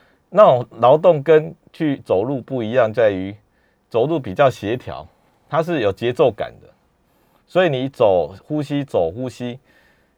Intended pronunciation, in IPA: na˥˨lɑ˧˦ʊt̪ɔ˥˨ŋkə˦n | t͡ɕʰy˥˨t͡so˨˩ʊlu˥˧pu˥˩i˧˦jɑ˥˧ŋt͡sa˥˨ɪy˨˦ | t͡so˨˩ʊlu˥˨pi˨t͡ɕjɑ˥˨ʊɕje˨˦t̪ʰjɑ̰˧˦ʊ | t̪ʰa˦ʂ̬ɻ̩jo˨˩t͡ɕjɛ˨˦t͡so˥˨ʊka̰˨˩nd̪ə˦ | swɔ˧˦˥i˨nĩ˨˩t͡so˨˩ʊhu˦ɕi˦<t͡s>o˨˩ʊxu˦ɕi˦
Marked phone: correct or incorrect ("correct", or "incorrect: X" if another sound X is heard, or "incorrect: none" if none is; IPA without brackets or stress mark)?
correct